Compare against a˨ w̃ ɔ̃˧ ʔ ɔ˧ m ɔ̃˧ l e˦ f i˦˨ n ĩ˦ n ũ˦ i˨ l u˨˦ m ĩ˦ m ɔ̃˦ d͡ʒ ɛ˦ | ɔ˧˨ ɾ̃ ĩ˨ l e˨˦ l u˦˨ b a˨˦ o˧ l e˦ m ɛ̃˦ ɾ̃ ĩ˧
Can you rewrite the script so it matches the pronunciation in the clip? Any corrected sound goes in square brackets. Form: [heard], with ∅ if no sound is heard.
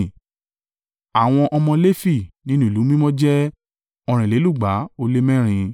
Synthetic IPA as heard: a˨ w̃ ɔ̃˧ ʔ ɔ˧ m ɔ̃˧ l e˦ f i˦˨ n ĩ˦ n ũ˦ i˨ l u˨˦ m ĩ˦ m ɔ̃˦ d͡ʒ ɛ˦ | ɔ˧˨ ɾ̃ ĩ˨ l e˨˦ l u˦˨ [ɡ͡b] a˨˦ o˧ l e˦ m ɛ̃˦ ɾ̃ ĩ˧